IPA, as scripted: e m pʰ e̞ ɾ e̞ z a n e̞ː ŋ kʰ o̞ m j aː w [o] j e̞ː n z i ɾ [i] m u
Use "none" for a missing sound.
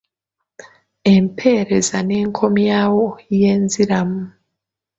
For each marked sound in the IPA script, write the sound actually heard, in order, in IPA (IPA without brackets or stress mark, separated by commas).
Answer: o, a